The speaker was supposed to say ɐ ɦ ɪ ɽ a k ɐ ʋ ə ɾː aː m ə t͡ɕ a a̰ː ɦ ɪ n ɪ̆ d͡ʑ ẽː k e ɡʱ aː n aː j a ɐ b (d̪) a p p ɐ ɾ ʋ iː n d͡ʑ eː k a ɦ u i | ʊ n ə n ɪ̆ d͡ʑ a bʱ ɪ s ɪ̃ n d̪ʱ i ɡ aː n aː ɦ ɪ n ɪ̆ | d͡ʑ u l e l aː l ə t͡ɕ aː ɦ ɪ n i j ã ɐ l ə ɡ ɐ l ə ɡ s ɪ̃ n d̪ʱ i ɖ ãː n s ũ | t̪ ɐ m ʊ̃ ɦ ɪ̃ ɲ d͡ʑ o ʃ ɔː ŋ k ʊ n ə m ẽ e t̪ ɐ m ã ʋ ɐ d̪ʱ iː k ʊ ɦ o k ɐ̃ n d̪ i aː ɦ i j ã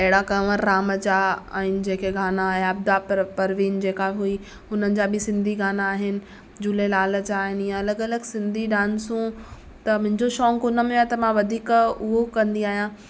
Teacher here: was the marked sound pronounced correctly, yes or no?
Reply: yes